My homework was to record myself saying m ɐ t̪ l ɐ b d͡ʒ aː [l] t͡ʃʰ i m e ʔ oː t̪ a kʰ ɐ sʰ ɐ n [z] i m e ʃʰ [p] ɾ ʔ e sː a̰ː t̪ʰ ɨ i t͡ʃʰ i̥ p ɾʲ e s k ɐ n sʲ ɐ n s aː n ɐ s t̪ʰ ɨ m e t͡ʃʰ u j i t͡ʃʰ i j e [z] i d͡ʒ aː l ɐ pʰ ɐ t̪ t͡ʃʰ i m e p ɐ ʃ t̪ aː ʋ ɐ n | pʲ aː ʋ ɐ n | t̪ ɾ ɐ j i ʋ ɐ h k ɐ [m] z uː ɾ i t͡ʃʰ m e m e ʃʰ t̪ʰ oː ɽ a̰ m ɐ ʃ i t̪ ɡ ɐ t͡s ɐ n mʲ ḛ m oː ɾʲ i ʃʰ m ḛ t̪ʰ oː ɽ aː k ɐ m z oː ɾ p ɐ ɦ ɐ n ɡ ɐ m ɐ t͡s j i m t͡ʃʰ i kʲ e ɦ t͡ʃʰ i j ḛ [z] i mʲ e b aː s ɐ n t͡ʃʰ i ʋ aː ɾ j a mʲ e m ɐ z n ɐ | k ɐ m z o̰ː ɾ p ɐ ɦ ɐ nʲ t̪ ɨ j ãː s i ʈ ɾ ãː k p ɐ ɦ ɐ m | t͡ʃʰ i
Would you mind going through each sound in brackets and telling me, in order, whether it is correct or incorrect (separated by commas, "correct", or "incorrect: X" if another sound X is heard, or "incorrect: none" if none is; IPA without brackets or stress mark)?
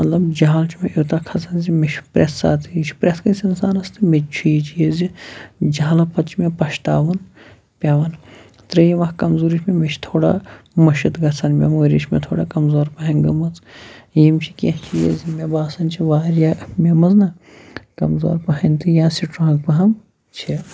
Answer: correct, correct, correct, correct, correct, correct